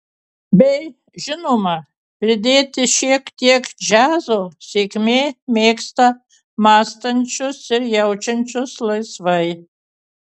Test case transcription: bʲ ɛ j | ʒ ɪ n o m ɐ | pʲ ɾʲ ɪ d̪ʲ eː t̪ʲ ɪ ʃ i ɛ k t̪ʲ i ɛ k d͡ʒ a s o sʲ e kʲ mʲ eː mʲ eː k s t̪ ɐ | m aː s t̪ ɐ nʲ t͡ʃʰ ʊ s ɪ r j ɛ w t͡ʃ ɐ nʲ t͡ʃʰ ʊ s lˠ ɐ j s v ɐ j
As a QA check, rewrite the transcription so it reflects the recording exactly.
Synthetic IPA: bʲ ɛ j | ʒ ɪ n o m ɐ | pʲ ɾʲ ɪ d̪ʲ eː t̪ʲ ɪ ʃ i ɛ k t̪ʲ i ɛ k d͡ʒ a z o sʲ e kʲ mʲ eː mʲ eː k s t̪ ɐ | m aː s t̪ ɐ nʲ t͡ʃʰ ʊ s ɪ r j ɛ w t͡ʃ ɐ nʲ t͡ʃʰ ʊ s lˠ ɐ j s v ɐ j